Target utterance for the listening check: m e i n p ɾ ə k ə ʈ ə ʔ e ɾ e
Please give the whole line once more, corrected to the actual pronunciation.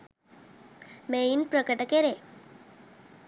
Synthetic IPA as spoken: m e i n p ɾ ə k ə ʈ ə k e ɾ e